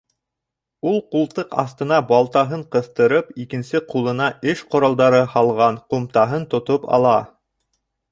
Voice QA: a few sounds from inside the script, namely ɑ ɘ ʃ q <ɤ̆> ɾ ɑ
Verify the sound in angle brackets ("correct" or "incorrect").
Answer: incorrect